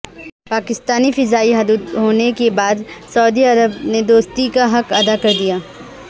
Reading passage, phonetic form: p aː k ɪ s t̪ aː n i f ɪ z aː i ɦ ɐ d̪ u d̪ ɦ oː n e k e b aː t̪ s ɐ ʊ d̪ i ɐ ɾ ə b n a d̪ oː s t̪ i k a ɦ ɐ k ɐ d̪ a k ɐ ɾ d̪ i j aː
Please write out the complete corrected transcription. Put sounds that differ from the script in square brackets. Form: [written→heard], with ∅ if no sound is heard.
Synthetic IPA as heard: p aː k ɪ s t̪ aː n i f ɪ z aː i ɦ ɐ d̪ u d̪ ɦ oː n e k e b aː [t̪→d̪] s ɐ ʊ d̪ i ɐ ɾ ə b n [a→e] d̪ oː s t̪ i k a ɦ ɐ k ɐ d̪ a k ɐ ɾ d̪ i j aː